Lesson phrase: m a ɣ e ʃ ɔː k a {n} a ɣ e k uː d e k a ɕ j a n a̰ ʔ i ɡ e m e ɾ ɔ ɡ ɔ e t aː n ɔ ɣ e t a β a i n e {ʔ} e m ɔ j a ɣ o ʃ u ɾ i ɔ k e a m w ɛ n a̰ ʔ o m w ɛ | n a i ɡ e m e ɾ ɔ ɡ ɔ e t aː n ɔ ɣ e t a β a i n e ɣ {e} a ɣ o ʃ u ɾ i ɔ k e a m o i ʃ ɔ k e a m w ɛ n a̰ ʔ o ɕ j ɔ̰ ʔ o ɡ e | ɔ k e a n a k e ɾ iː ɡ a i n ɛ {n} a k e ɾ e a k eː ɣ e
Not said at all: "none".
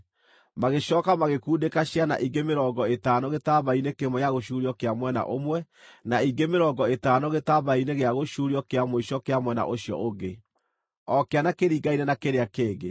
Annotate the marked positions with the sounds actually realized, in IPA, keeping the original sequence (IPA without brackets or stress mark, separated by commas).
m, k, e, n